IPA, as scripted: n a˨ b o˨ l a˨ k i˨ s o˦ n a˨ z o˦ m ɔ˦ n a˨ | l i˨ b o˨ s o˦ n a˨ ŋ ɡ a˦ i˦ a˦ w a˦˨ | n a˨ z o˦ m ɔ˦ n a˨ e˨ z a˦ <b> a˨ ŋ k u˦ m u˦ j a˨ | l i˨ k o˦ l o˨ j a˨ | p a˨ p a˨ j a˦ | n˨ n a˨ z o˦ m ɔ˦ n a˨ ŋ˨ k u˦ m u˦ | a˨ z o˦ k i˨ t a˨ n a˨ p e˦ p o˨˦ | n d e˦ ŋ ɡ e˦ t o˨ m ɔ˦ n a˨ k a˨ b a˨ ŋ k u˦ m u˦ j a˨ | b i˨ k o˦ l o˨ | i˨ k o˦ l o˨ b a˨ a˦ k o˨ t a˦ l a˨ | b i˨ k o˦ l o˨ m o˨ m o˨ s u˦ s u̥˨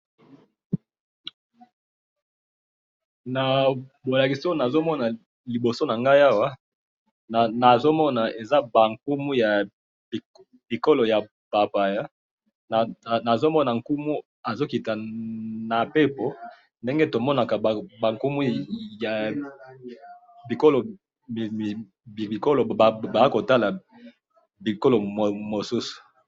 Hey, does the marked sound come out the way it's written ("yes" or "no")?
yes